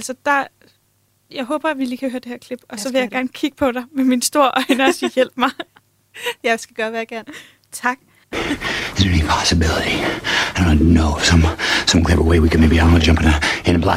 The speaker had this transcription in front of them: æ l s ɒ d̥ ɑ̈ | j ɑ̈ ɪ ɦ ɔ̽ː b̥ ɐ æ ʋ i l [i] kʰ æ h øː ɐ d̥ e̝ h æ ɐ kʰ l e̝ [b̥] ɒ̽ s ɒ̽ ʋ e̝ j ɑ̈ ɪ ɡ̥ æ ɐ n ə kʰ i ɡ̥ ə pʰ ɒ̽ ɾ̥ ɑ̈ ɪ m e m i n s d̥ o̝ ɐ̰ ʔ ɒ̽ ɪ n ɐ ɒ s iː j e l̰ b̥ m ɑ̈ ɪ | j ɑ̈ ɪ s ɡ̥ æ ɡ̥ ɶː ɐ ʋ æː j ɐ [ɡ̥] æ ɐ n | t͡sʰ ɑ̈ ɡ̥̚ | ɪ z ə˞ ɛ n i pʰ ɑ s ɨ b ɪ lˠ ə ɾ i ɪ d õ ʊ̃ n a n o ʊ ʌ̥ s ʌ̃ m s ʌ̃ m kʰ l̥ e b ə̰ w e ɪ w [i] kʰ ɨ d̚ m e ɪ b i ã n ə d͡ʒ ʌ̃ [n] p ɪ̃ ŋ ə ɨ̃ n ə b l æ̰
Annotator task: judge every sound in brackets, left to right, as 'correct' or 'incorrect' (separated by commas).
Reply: incorrect, correct, correct, correct, incorrect